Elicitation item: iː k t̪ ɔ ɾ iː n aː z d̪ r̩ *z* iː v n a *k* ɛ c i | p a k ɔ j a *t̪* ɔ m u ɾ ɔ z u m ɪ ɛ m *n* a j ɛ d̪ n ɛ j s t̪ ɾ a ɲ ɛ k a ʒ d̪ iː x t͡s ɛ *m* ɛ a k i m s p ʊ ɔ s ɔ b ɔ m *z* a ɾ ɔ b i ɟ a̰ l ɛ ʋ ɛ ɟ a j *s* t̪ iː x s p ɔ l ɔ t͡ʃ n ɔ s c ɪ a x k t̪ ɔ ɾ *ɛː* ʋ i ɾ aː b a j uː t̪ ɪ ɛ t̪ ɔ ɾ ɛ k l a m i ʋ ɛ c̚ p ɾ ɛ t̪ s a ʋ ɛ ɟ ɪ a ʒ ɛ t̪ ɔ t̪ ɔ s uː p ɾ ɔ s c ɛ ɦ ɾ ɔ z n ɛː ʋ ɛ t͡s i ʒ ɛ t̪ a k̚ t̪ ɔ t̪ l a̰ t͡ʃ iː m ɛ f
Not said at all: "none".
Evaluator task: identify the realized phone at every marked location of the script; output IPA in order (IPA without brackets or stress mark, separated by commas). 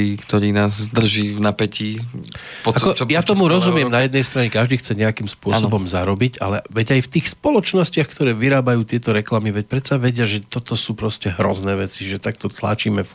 ʒ, p, t̪, n, ɲ, z, f, ɛː